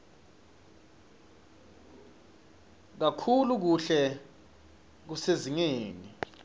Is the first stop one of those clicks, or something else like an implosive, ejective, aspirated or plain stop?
plain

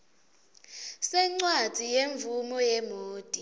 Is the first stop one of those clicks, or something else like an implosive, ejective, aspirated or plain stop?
click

